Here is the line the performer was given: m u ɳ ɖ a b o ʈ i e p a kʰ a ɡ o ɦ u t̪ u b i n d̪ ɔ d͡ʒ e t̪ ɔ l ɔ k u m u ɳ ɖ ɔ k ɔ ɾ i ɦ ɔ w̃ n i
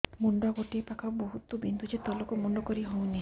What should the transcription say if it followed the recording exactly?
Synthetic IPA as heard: m u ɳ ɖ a ɡ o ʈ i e p a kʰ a b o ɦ u t̪ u b i n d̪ u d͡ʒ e t̪ ɔ l ɔ k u m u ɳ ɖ ɔ k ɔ ɾ i ɦ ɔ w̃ n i